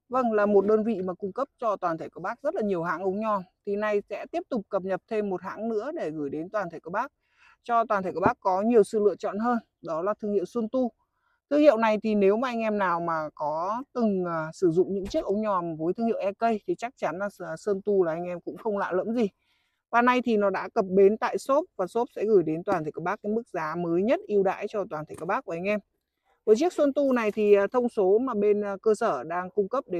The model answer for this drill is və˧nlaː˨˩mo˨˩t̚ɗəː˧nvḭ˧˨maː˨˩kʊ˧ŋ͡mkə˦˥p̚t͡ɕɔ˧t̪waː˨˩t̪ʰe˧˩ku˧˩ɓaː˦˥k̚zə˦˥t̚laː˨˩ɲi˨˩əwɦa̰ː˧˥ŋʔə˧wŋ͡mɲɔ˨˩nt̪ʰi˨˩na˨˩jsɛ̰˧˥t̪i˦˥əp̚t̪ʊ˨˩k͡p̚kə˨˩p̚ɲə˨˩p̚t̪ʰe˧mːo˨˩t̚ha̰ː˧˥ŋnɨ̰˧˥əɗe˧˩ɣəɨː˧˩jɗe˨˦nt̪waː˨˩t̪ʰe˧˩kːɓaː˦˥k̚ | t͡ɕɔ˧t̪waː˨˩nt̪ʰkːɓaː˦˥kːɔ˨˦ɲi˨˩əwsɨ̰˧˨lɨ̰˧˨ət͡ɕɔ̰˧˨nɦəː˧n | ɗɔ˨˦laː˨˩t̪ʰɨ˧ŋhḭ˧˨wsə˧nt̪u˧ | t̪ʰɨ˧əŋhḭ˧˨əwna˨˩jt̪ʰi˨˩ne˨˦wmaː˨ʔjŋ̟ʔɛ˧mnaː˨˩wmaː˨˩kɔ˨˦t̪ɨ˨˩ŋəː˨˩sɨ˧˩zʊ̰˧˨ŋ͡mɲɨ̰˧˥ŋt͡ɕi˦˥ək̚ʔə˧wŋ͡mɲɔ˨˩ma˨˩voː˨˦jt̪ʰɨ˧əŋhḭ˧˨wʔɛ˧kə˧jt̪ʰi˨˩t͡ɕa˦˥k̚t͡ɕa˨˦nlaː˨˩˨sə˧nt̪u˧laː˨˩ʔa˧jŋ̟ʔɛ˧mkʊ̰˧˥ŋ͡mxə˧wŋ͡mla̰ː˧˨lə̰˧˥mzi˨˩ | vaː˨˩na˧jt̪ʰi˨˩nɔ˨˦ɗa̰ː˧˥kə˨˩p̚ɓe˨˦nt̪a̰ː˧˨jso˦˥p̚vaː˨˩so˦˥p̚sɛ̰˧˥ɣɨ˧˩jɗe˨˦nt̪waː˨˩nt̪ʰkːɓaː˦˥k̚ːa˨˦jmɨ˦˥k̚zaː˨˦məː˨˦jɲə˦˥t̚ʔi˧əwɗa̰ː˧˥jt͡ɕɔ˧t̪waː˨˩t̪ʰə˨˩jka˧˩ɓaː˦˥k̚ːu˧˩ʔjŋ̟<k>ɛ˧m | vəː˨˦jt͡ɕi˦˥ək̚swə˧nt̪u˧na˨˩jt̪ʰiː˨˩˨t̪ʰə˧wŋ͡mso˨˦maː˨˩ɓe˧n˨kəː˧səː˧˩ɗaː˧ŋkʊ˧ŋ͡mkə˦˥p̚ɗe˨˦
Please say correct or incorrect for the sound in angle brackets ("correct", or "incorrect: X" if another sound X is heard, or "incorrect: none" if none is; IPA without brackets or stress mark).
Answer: incorrect: ʔ